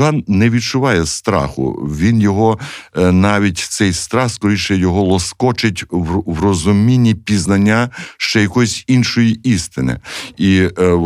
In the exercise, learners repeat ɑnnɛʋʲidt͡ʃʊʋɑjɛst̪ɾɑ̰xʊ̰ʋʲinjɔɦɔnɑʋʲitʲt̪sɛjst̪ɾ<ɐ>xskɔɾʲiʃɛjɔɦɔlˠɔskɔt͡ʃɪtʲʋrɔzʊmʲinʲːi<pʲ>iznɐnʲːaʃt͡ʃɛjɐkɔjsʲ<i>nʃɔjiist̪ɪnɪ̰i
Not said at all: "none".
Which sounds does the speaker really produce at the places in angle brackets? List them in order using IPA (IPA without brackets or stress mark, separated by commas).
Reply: ɑ, pʲ, i